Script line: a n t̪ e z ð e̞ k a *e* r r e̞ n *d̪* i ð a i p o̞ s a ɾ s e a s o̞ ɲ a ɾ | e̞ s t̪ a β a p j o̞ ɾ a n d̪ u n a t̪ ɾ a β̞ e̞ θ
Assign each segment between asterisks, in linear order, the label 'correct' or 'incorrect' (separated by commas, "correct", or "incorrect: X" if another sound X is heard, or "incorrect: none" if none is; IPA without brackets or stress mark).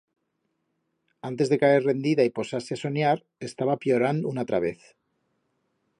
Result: correct, correct